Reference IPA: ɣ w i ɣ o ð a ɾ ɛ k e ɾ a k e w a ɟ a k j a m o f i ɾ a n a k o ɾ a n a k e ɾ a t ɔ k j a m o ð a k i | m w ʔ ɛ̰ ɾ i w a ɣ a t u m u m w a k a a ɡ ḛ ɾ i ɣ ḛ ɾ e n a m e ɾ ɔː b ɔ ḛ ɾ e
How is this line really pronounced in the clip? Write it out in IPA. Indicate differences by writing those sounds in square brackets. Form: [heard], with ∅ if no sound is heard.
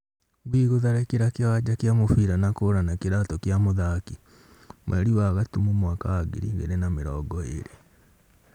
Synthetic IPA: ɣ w i ɣ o ð a ɾ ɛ k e ɾ a k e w a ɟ a k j a m o f i ɾ a n a k o ɾ a n a k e ɾ a t ɔ k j a m o ð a k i | m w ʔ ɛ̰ ɾ i w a ɣ a t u m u m w a k a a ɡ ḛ ɾ i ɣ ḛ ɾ e n a m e ɾ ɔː [ɡ] ɔ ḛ ɾ e